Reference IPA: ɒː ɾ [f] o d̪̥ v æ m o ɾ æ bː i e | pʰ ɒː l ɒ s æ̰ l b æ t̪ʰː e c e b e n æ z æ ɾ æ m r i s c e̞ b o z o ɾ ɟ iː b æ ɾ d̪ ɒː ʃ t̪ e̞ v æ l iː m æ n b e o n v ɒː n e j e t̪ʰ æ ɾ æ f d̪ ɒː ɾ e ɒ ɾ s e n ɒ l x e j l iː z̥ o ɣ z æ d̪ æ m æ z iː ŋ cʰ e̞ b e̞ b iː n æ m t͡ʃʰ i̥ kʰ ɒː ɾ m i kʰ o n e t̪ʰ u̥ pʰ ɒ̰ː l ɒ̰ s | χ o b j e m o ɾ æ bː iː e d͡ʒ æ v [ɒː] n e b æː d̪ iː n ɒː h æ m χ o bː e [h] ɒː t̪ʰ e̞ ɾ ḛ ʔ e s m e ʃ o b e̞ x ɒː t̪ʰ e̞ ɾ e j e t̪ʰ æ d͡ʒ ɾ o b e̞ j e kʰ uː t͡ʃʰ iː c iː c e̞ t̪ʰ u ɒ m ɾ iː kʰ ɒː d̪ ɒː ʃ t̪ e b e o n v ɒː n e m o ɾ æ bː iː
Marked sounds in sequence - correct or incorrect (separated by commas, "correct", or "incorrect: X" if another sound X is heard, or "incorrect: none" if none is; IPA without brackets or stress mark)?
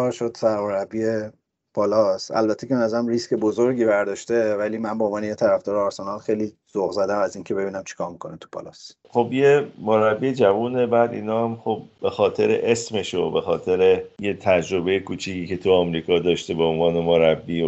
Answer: incorrect: ʃ, incorrect: uː, incorrect: x